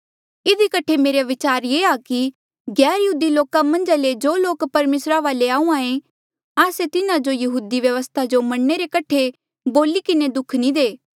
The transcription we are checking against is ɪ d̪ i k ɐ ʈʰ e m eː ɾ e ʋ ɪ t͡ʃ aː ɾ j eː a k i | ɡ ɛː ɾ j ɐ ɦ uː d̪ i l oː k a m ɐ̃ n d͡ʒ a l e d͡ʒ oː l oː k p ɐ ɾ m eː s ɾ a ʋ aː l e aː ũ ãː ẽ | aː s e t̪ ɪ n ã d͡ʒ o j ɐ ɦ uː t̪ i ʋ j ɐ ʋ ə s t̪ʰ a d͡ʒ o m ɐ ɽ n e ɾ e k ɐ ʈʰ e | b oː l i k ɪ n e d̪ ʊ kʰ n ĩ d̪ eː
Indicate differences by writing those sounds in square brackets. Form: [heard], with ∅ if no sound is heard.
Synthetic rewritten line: ɪ d̪ i k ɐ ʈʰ e m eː ɾ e ʋ ɪ t͡ʃ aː ɾ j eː a k i | ɡ ɛː ɾ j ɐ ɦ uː d̪ i l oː k a m ɐ̃ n d͡ʒ a l e d͡ʒ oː l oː k p ɐ ɾ m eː s ɾ a ʋ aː l e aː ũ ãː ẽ | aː s e t̪ ɪ n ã d͡ʒ o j ɐ ɦ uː [d̪] i ʋ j ɐ ʋ ə s t̪ʰ a d͡ʒ o m ɐ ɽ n e ɾ e k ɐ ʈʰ e | b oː l i k ɪ n e d̪ ʊ kʰ n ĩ d̪ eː